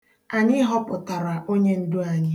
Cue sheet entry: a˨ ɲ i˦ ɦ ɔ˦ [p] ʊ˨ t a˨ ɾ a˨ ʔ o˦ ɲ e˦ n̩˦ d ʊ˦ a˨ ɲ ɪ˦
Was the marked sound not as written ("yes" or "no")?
no